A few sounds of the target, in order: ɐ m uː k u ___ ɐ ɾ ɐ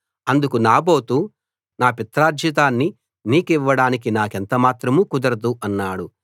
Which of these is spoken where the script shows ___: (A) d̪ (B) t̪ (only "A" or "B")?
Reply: A